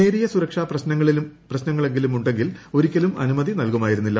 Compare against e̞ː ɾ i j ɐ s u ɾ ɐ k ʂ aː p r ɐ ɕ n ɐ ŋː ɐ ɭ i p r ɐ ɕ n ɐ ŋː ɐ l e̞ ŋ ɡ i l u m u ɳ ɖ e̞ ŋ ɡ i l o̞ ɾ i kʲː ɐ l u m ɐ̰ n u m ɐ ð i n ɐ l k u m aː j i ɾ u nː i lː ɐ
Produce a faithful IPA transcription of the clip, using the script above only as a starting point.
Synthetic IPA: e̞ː ɾ i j ɐ s u ɾ ɐ k ʂ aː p r ɐ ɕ n ɐ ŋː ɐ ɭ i p r ɐ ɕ n ɐ ŋː ɐ ɭ e̞ ŋ ɡ i l u m u ɳ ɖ e̞ ŋ ɡ i l o̞ ɾ i kʲː ɐ l u m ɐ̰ n u m ɐ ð i n ɐ l k u m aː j i ɾ u nː i lː ɐ